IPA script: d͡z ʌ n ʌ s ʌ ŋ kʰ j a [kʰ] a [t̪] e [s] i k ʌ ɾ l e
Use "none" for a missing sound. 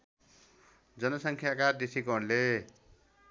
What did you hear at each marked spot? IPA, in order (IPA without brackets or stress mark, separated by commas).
k, d̪, s